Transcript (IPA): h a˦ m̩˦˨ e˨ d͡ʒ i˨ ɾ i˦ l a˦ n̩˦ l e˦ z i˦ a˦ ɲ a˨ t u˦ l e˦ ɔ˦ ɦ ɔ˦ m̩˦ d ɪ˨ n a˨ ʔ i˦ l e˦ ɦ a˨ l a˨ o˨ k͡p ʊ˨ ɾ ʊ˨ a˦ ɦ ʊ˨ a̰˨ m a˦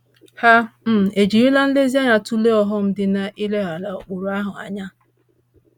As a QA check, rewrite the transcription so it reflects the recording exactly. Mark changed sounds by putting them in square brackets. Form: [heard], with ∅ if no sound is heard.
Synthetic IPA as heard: h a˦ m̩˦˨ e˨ d͡ʒ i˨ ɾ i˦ l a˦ n̩˦ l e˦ z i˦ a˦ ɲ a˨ t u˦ l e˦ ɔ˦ ɦ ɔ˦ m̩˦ d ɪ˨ n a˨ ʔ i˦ l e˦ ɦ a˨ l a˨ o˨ k͡p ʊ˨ ɾ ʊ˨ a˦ ɦ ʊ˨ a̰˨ [ɲ] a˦